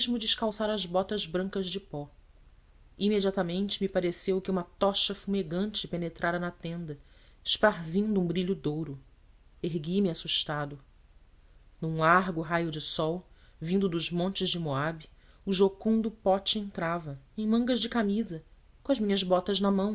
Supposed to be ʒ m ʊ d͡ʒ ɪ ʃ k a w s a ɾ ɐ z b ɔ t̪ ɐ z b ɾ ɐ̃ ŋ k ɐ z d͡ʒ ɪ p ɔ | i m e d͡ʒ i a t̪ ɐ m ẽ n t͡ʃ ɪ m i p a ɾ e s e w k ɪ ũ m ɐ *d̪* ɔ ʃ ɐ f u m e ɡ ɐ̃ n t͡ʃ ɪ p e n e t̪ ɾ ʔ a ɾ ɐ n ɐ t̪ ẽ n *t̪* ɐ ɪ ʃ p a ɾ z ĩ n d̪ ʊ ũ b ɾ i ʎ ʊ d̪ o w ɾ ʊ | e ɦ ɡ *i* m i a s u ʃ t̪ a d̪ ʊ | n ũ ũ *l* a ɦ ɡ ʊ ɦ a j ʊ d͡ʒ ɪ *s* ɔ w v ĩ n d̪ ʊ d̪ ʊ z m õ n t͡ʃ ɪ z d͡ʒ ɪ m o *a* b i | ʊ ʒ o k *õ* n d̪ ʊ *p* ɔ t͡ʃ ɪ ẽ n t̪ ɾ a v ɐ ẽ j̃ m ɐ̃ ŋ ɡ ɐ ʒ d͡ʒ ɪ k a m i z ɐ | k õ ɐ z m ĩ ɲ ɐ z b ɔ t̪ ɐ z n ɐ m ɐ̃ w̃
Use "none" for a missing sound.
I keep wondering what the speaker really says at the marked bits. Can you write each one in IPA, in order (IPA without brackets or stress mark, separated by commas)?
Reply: t̪, d̪, i, l, s, a, ũ, p